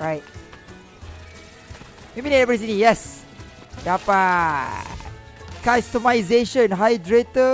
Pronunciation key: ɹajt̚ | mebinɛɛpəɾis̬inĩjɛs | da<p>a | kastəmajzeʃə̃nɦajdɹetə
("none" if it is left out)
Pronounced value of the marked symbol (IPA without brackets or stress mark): p